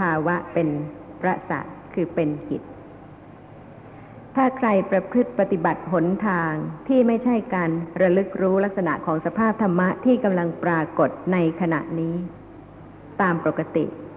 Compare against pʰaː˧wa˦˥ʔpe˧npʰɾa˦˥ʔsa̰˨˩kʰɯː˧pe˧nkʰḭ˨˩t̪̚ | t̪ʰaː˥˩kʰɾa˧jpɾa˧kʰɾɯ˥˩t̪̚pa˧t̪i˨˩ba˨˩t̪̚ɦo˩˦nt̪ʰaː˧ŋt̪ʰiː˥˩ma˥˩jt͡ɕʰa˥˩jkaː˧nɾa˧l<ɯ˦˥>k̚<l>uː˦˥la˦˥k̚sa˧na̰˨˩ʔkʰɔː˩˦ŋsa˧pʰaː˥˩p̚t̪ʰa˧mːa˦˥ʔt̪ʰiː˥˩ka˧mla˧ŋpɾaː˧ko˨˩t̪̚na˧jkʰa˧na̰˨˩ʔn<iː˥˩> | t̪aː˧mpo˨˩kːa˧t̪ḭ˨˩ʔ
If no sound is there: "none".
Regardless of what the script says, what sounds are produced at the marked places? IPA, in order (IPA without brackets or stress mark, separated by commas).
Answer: ɯ˦˥, ɾ, iː˦˥